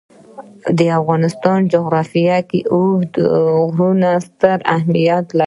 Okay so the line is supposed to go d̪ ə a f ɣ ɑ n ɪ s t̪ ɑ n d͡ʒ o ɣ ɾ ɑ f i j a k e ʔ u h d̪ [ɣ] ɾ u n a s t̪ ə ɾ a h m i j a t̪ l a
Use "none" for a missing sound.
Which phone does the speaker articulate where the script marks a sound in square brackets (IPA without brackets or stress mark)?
ɣ